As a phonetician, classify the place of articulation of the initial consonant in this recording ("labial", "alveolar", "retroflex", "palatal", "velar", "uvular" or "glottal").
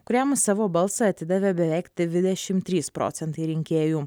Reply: velar